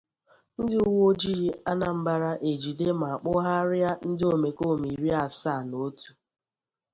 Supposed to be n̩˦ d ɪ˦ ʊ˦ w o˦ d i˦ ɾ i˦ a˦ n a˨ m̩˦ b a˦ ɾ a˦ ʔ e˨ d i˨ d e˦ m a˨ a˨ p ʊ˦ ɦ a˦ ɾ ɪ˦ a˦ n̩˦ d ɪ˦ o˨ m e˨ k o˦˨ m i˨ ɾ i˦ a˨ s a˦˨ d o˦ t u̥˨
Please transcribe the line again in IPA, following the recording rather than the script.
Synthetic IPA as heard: n̩˦ d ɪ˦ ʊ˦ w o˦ d͡ʒ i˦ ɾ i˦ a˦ n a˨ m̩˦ b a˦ ɾ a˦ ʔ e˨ d͡ʒ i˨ d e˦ m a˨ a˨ k͡p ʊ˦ ɦ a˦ ɾ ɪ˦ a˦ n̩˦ d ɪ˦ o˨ m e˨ k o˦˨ m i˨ ɾ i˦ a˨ s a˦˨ n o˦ t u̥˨